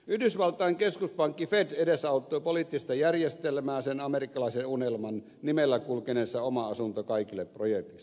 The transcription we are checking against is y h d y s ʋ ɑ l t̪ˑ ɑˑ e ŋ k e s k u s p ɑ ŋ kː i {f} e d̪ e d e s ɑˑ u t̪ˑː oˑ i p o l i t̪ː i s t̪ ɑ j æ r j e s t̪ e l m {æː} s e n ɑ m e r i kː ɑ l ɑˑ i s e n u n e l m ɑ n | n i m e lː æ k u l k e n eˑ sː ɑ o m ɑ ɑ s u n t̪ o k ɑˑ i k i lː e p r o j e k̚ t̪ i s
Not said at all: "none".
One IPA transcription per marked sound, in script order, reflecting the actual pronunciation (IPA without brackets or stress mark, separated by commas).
f, æː